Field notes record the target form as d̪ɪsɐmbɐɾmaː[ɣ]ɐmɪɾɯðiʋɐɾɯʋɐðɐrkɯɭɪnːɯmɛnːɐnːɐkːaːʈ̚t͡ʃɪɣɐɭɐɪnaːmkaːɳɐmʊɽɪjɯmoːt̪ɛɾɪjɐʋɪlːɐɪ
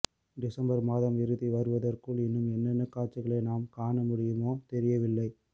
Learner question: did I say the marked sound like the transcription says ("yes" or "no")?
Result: no